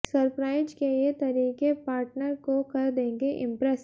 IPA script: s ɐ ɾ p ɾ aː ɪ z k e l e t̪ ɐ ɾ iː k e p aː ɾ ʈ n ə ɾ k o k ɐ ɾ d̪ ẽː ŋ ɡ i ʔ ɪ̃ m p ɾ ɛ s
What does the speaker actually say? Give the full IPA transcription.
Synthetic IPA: s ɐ ɾ p ɾ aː ɪ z k e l e t̪ ɐ ɾ iː k e p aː ɾ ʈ n ə ɾ k o k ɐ ɾ d̪ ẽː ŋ ɡ e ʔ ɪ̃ m p ɾ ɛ s